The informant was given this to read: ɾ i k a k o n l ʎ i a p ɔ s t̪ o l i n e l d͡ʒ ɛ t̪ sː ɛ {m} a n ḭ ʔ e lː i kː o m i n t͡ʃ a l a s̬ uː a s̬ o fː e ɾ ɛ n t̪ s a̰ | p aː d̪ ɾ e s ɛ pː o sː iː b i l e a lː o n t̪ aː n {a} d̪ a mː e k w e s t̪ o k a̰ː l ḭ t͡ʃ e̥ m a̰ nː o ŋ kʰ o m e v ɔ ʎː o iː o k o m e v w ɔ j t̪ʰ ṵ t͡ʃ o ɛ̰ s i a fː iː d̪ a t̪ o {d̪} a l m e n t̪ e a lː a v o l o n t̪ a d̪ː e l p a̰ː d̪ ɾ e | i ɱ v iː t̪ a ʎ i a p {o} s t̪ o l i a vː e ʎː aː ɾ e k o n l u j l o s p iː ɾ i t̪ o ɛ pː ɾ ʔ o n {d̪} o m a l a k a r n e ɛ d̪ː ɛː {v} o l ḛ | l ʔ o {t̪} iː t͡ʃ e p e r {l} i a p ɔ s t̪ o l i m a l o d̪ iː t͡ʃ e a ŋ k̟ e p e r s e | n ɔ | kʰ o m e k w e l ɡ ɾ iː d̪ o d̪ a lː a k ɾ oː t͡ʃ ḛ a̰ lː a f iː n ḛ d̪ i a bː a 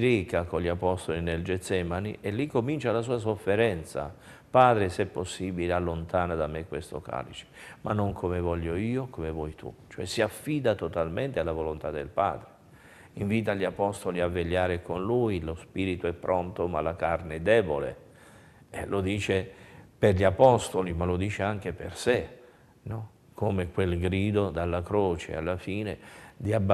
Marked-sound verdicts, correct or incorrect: correct, correct, incorrect, incorrect, incorrect, incorrect, incorrect, incorrect

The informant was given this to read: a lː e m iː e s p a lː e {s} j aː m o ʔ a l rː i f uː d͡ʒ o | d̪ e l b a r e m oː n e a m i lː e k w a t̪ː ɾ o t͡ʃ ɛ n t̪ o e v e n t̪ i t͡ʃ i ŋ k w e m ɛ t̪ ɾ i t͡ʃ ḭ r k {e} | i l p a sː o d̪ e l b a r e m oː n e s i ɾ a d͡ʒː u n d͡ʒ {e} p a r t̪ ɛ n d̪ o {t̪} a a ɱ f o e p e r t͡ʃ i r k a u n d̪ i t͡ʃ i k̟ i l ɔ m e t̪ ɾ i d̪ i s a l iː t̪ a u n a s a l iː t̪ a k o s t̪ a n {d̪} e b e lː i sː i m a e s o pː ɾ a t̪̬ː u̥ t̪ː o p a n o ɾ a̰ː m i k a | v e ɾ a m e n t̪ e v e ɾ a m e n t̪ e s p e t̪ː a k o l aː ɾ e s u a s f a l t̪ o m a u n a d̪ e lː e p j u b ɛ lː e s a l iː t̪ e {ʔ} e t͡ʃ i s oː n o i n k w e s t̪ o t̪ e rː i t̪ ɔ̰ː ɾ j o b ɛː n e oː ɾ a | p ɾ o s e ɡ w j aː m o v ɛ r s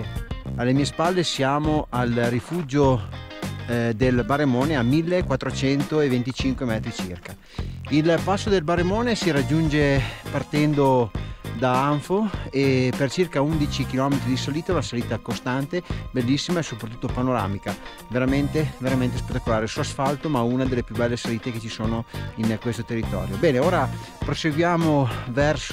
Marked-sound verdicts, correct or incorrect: correct, incorrect, correct, incorrect, incorrect, incorrect

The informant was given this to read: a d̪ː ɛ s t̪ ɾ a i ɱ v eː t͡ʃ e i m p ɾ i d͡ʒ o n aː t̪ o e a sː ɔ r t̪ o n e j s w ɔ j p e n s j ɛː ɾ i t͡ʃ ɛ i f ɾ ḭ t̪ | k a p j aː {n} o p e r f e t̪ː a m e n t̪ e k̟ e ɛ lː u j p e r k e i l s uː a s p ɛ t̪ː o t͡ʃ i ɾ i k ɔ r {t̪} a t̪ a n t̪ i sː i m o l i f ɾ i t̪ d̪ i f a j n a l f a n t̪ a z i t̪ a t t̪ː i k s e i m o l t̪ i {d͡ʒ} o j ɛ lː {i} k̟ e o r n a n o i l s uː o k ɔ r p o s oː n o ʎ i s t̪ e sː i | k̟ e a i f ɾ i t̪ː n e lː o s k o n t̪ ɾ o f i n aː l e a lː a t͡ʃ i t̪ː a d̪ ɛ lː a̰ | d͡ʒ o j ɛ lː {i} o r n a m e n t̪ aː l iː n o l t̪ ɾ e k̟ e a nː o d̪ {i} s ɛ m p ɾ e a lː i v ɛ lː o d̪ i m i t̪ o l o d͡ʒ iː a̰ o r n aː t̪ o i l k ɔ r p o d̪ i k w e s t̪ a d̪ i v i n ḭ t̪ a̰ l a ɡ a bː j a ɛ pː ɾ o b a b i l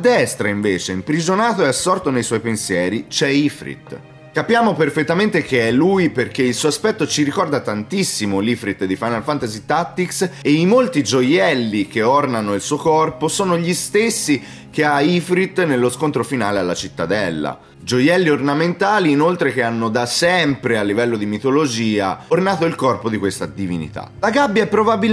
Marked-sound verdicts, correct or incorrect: incorrect, incorrect, correct, correct, correct, incorrect

